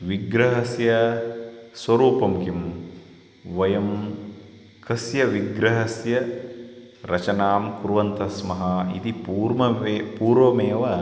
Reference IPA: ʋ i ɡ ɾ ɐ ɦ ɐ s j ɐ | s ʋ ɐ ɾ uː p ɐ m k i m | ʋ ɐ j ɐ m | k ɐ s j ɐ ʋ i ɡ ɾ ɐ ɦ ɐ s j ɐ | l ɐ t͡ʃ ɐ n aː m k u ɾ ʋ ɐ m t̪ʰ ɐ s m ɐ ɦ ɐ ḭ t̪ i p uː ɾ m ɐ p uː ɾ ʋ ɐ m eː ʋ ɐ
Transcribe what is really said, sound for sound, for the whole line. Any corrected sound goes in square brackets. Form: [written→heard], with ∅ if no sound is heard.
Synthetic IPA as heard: ʋ i ɡ ɾ ɐ ɦ ɐ s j ɐ | s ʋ ɐ ɾ uː p ɐ m k i m | ʋ ɐ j ɐ m | k ɐ s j ɐ ʋ i ɡ ɾ ɐ ɦ ɐ s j ɐ | [l→ɾ] ɐ t͡ʃ ɐ n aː m k u ɾ ʋ ɐ [m→n] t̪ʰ ɐ s m ɐ ɦ ɐ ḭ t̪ i p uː ɾ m ɐ p uː ɾ ʋ ɐ m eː ʋ ɐ